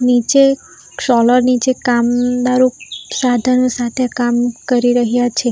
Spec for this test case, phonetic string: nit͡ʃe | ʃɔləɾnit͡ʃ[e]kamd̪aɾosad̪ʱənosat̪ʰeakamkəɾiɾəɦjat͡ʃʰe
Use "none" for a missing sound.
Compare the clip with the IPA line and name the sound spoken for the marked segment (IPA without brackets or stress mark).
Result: e